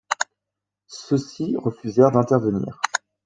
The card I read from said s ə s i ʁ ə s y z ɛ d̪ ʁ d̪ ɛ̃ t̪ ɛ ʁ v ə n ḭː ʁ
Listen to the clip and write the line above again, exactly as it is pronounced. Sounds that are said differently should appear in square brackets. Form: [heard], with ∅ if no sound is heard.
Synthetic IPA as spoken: s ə s i ʁ ə [f] y z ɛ [∅] ʁ d̪ ɛ̃ t̪ ɛ ʁ v ə n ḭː ʁ